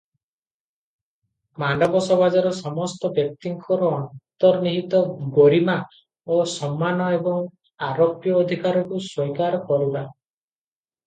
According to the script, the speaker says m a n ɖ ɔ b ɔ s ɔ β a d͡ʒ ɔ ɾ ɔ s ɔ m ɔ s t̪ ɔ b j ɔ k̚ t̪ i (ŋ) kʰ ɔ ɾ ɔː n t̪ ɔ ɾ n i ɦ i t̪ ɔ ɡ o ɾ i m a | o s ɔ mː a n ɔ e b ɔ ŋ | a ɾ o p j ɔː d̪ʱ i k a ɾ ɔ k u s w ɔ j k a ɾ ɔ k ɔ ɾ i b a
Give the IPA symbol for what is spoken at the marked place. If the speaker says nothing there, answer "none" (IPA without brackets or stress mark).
ŋ